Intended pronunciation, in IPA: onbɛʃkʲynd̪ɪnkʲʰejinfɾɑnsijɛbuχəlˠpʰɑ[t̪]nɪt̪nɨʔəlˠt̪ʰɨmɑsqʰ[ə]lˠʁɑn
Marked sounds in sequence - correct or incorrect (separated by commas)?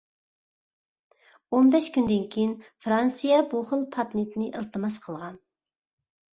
correct, correct